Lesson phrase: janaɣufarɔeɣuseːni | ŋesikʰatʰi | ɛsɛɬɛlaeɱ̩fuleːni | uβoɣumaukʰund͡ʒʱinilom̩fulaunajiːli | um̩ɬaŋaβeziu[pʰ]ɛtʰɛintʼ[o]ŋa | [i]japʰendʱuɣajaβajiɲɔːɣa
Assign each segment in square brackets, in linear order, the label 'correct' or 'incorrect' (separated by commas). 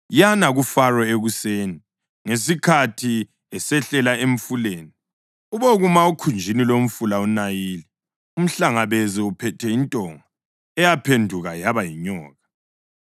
correct, incorrect, incorrect